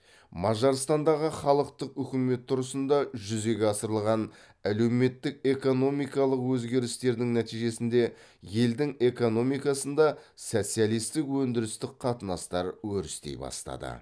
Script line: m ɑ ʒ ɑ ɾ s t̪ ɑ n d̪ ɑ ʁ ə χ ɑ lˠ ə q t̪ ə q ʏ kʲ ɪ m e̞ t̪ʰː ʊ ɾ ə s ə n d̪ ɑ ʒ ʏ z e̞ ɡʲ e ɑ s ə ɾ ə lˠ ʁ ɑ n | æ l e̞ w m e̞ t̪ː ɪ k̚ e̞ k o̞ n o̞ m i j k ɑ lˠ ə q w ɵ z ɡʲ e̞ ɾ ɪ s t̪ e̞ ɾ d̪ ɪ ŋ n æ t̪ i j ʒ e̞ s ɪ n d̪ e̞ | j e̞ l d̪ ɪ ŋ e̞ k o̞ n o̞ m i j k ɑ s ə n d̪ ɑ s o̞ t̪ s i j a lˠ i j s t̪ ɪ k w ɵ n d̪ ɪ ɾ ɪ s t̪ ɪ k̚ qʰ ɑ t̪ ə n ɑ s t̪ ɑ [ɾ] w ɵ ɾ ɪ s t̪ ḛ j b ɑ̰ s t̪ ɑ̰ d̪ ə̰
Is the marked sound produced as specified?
yes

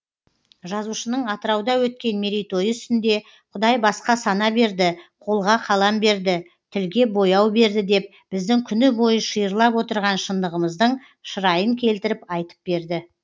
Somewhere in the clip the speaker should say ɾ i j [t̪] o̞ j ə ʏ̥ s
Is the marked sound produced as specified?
yes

